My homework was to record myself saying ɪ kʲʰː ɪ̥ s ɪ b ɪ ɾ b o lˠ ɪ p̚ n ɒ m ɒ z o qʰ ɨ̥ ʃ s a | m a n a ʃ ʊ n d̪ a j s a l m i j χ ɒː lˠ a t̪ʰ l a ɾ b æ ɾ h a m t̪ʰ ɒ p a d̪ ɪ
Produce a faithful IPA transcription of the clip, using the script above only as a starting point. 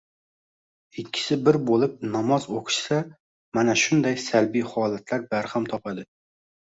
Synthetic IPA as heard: ɪ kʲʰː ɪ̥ s ɪ b ɪ ɾ b o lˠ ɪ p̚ n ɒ m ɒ z o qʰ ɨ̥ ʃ s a | m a n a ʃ ʊ n d̪ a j s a l b i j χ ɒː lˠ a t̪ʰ l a ɾ b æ ɾ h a m t̪ʰ ɒ p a d̪ ɪ